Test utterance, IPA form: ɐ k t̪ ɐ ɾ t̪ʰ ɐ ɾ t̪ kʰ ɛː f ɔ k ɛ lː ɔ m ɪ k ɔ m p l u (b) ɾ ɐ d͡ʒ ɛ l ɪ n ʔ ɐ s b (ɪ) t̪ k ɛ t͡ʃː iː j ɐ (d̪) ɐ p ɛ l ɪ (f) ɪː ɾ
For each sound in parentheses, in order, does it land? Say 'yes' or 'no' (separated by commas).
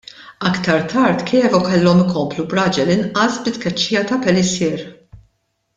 yes, yes, no, no